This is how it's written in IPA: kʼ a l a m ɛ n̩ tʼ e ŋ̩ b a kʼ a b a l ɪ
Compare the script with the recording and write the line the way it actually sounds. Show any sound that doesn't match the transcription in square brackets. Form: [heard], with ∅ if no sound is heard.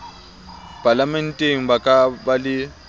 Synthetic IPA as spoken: [pʼ] a l a m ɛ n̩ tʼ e ŋ̩ b a kʼ a b a l ɪ